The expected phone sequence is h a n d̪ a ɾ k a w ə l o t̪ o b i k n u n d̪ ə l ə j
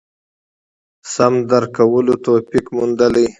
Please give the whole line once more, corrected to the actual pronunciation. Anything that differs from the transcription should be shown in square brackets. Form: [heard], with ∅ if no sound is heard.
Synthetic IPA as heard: [s] a [m] d̪ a ɾ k a w ə l o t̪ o [p] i k [m] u n d̪ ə l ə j